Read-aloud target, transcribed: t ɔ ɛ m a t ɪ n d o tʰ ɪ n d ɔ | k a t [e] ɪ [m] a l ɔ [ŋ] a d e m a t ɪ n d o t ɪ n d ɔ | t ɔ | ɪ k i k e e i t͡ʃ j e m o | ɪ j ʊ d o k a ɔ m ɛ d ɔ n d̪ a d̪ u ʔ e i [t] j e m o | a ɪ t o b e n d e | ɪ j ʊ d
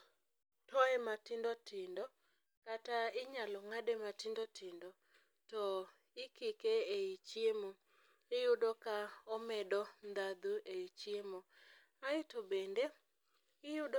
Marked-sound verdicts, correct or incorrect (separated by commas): incorrect, incorrect, correct, incorrect